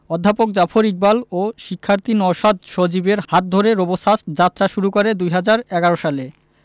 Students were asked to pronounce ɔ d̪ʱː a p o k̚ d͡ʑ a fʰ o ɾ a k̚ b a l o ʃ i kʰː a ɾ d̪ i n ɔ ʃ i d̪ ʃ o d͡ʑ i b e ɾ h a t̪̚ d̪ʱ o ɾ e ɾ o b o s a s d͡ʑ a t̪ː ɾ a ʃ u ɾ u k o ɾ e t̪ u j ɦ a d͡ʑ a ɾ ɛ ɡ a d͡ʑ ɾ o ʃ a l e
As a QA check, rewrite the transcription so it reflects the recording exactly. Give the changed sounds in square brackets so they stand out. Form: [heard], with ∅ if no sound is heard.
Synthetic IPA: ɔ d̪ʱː a p o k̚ d͡ʑ a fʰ o ɾ [i] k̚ b a l o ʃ i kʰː a ɾ [t̪] i n ɔ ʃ [a] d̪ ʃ o d͡ʑ i b e ɾ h a t̪̚ d̪ʱ o ɾ e ɾ o b o s a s d͡ʑ a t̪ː ɾ a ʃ u ɾ u k o ɾ e [d̪] u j ɦ a d͡ʑ a ɾ ɛ ɡ a [∅] ɾ o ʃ a l e